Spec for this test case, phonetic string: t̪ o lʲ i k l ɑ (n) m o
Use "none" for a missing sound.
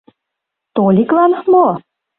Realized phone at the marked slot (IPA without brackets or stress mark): n